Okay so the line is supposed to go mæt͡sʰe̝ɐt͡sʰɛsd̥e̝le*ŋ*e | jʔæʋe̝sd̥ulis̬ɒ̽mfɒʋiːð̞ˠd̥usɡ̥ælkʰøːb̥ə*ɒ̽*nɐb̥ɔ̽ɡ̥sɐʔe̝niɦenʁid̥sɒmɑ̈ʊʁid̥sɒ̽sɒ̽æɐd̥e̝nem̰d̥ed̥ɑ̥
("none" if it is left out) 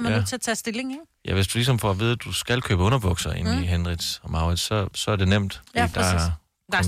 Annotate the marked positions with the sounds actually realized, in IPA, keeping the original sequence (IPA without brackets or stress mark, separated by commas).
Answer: ŋ, ɔ̽